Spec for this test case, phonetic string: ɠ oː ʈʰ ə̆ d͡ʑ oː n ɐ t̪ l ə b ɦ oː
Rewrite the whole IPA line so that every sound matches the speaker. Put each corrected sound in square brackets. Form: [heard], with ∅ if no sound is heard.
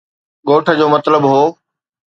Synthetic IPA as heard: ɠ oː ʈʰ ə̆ d͡ʑ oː [m] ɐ t̪ l ə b ɦ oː